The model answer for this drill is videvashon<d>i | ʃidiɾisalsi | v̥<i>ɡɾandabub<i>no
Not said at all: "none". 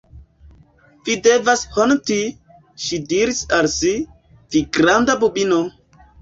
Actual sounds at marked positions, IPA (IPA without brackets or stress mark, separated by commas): t, i, i